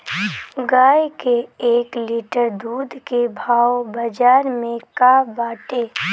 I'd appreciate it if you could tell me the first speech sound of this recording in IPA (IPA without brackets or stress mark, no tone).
ɡ